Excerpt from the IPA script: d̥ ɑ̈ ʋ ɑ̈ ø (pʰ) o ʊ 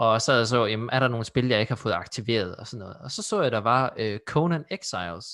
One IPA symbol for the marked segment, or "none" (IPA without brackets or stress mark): kʰ